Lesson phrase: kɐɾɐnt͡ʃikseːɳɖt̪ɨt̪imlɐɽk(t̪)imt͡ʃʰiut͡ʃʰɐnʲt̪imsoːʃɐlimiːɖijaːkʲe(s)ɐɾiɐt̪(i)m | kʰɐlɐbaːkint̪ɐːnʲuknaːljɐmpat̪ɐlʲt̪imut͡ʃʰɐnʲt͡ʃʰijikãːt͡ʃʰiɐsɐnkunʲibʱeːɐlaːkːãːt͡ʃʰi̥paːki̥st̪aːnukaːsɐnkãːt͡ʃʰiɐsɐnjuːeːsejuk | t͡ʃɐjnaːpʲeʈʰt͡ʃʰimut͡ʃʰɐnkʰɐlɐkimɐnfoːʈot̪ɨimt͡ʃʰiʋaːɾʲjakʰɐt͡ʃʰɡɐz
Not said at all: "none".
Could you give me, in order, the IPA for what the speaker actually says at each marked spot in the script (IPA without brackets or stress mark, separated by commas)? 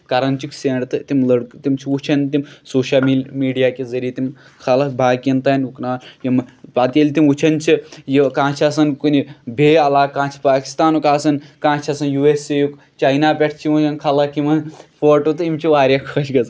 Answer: t̪, z, i